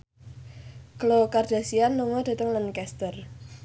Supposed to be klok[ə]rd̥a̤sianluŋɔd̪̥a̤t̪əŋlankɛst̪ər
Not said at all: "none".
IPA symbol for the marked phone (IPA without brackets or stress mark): a